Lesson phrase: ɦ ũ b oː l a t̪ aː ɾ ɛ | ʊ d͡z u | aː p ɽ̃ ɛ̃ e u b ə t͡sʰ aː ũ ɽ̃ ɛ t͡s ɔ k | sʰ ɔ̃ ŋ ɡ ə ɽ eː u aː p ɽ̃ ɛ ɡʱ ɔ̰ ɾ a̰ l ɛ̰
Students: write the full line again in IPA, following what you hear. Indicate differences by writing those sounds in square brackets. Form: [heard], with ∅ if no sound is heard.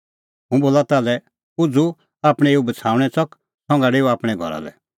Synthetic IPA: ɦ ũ b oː l a t̪ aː [l] ɛ | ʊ d͡z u | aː p ɽ̃ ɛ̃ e u b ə t͡sʰ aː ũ ɽ̃ ɛ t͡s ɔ k | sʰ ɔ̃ ŋ ɡ [a] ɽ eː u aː p ɽ̃ ɛ ɡʱ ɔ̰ ɾ a̰ l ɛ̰